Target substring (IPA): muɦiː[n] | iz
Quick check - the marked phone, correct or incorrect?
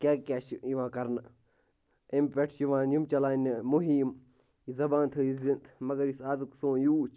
incorrect